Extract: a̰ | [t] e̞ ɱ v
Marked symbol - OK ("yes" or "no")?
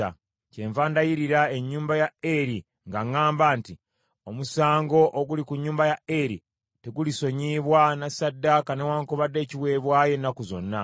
no